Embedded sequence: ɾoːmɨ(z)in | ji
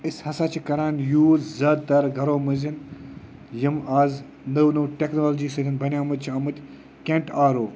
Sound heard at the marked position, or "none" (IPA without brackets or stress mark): z